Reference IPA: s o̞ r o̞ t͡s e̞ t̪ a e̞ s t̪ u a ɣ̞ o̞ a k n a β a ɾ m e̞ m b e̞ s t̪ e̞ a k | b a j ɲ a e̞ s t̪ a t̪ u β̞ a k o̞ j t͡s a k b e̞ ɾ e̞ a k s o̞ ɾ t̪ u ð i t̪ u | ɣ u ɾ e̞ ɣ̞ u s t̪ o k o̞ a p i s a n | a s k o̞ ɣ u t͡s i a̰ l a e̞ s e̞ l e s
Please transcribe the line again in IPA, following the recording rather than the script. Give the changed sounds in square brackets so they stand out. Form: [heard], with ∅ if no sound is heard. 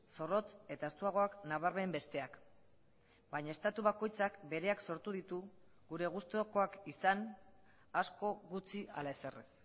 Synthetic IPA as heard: s o̞ r o̞ t͡s e̞ t̪ a e̞ s t̪ u a ɣ̞ o̞ a k n a β a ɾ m e̞ m b e̞ s t̪ e̞ a k | b a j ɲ a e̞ s t̪ a t̪ u β̞ a k o̞ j t͡s a k b e̞ ɾ e̞ a k s o̞ ɾ t̪ u ð i t̪ u | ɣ u ɾ e̞ ɣ̞ u s t̪ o k o̞ a [k] i s a n | a s k o̞ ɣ u t͡s i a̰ l a e̞ s e̞ [r] e s